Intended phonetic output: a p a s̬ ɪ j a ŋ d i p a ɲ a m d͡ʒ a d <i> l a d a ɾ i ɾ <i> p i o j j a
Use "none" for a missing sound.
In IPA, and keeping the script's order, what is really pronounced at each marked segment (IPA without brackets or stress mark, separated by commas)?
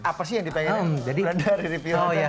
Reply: i, i